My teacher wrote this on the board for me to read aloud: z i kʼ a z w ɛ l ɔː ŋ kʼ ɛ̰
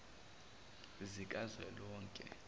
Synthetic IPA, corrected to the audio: z i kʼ a z w ɛ l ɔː ŋ kʼ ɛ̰